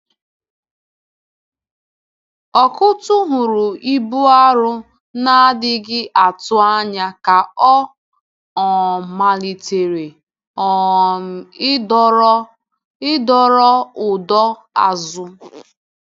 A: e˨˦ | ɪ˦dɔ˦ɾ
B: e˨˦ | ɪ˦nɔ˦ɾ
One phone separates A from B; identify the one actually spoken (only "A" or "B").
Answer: A